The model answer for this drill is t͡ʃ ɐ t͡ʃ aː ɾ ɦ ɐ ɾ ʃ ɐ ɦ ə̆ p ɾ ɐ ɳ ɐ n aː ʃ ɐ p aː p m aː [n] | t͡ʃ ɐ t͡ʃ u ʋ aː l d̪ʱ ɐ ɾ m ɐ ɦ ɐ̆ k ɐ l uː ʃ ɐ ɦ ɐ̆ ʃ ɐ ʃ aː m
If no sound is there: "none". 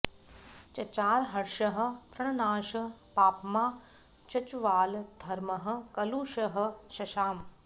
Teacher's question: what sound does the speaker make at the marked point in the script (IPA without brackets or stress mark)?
none